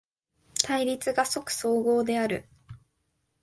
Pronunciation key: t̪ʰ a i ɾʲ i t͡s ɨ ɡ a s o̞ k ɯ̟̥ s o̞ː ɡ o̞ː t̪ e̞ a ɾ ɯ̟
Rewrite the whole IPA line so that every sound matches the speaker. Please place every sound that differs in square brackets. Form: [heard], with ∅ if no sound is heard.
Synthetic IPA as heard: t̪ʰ a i ɾʲ i t͡s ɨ ɡ a s o̞ k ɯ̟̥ s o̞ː ɡ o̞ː [d̪] e̞ a ɾ ɯ̟